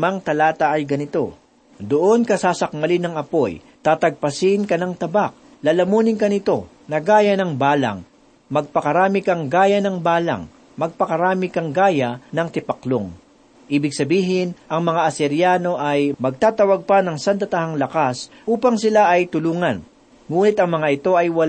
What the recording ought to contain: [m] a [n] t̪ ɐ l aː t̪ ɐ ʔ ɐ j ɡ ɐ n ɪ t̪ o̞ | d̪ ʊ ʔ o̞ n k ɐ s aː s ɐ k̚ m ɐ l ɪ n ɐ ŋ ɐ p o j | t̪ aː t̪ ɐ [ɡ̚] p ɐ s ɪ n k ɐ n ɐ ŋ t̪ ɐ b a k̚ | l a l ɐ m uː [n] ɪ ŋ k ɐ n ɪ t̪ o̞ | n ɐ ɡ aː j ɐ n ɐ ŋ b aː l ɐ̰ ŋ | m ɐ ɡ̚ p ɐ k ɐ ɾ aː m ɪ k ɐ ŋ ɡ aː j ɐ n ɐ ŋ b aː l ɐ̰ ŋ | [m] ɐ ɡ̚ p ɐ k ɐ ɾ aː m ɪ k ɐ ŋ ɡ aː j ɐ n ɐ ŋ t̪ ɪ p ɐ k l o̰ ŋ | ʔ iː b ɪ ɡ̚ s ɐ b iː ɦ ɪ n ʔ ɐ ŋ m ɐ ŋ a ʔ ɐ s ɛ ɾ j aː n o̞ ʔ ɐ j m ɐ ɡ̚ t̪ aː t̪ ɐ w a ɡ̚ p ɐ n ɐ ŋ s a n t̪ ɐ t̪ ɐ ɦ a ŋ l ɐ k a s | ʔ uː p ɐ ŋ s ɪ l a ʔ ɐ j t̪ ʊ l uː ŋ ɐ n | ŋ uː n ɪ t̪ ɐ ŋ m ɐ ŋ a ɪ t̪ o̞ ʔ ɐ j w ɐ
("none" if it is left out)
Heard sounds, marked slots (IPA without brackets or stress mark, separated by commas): m, ŋ, ɡ̚, n, m